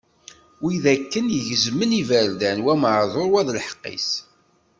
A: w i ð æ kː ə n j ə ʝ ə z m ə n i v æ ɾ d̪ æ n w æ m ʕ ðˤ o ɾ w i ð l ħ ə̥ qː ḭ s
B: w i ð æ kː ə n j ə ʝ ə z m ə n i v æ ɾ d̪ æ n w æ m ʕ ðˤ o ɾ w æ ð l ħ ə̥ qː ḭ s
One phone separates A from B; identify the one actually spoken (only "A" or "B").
B